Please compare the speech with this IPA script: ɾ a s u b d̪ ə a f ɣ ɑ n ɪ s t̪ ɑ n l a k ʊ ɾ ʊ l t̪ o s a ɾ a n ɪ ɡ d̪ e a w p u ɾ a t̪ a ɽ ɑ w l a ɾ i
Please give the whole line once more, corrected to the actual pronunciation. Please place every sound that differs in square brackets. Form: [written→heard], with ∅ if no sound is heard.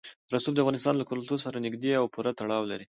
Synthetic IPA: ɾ a s u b d̪ ə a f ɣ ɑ n ɪ s t̪ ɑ n l a k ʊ ɾ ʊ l t̪ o s a ɾ a n ɪ ɡ d̪ e a w p u ɾ a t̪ a ɽ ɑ w l a ɾ i

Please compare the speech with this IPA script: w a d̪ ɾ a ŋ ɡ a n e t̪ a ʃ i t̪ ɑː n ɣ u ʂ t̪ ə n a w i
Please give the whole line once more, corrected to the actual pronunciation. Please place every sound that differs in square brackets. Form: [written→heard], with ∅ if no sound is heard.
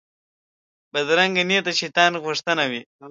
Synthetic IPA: [w→b] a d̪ ɾ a ŋ ɡ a n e t̪ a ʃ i t̪ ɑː n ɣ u ʂ t̪ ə n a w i

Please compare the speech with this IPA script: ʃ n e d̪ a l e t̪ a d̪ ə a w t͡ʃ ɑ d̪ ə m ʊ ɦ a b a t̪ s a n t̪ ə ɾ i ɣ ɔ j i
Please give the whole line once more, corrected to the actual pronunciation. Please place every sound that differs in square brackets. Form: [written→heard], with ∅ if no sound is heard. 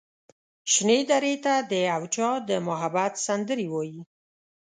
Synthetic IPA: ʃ n e d̪ a [l→ɾ] e t̪ a d̪ ə a w t͡ʃ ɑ d̪ ə m ʊ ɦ a b a t̪ s a n [t̪→d̪] ə ɾ i [ɣ→w] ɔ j i

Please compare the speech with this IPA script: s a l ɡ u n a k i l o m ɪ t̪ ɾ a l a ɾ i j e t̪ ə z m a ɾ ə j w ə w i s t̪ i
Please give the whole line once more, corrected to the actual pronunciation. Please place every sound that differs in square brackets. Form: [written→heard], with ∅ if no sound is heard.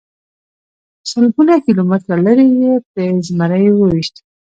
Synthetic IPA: s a l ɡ u n a k i l o m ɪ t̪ ɾ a l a ɾ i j e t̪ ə z m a ɾ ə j w ə w i [s→ʃ] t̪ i

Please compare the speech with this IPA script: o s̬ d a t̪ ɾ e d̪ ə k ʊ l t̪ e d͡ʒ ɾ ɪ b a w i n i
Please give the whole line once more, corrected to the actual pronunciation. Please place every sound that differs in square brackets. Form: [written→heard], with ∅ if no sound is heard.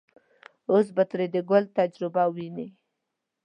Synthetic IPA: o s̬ [d→b] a t̪ ɾ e d̪ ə [k→ɡ] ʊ l t̪ [e→a] d͡ʒ ɾ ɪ b a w i n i

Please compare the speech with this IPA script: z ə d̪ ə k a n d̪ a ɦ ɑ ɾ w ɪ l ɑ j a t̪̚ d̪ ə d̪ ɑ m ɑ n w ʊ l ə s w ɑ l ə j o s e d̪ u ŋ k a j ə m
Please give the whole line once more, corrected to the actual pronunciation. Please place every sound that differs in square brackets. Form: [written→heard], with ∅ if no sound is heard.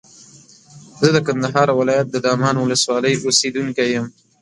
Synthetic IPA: z ə d̪ ə k a n d̪ a ɦ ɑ ɾ w ɪ l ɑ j a t̪̚ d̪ ə d̪ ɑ m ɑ n w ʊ l ə s w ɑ l ə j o s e d̪ u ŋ k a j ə m

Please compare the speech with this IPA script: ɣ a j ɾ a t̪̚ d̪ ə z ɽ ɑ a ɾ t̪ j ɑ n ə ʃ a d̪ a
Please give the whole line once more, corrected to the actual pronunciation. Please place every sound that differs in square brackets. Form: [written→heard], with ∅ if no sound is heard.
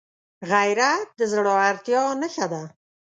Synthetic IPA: ɣ a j ɾ a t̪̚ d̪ ə z ɽ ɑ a ɾ t̪ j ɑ n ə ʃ a d̪ a

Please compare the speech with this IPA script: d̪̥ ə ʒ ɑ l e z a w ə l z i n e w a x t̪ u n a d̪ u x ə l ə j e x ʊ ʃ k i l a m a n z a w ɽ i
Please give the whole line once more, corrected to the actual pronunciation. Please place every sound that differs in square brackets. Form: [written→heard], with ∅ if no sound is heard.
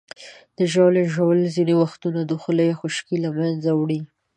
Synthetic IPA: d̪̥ ə ʒ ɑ l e [z→ʒ] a w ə l z i n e w a x t̪ u n a d̪ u x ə l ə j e x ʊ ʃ k i l a m a n z a w ɽ i

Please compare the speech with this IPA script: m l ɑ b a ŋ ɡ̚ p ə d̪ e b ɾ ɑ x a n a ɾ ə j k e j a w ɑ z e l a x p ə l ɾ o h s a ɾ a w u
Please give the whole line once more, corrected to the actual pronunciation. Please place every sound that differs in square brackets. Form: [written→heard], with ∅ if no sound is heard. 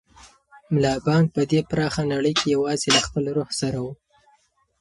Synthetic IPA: m l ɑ b [a→ɑ] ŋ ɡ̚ p ə d̪ e [b→p] ɾ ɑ x a n a [ɾ→ɽ] ə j k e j a w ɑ z e l a x p ə l ɾ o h s a ɾ a w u

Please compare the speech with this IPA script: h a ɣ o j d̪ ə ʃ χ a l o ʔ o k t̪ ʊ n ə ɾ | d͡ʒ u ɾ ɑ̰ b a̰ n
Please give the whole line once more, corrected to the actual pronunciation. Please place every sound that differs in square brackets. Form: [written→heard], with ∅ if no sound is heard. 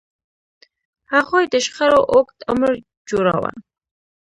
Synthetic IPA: h a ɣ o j d̪ ə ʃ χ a [l→ɾ] o ʔ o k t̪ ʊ [n→m] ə ɾ | d͡ʒ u ɾ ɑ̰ [b→w] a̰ n

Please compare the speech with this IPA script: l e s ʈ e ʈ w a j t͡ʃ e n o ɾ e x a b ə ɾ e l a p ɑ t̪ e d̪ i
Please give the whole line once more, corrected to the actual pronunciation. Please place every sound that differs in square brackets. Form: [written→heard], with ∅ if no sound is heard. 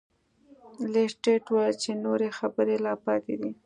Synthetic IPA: l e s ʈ e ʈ w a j t͡ʃ e n o ɾ e x a b ə ɾ e l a p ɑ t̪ e d̪ i

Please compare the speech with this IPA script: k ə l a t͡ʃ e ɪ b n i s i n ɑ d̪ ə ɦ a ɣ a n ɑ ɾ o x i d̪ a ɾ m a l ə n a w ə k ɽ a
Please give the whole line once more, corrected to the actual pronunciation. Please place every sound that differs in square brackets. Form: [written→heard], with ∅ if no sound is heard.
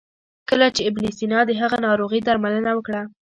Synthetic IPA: k ə l a t͡ʃ e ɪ b n i s i n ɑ d̪ ə ɦ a ɣ a n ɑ ɾ o [x→ɣ] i d̪ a ɾ m a l ə n a w ə k ɽ a

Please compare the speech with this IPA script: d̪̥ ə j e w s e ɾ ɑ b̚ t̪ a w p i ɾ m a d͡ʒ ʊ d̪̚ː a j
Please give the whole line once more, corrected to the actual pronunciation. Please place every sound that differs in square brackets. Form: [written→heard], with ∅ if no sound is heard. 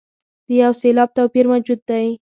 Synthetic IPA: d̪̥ ə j [e→a] w s e [ɾ→l] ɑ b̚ t̪ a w p i ɾ m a d͡ʒ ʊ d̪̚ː a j

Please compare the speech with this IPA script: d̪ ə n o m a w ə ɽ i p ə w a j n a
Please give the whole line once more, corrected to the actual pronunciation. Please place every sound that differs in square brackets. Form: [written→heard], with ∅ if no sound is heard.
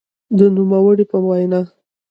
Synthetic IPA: d̪ ə n [o→u] m a w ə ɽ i p ə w a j n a

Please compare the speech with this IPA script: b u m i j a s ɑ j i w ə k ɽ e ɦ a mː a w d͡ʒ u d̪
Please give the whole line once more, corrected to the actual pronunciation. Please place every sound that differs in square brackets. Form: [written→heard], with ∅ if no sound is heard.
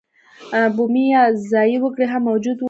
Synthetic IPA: b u m i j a [s→z] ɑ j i w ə k ɽ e ɦ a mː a w d͡ʒ u d̪

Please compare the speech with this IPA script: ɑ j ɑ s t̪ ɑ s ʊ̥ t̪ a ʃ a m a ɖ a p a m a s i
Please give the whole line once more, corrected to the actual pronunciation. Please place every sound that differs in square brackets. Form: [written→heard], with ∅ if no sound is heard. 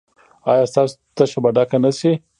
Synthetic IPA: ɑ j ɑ s t̪ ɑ s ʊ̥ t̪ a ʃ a [m→b] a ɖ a [p→k] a [m→n] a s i

